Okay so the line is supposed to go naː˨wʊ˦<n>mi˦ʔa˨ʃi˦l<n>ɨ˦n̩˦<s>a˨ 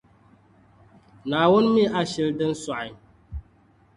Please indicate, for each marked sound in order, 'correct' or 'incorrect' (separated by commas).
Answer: correct, incorrect, correct